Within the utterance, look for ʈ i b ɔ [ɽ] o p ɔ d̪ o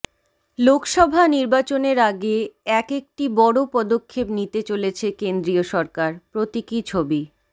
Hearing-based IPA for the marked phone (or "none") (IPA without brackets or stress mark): ɽ